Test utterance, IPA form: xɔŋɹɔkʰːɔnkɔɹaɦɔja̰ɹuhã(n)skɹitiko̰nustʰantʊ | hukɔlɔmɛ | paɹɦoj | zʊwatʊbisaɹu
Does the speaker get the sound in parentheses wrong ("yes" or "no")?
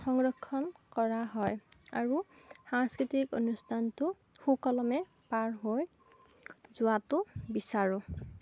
yes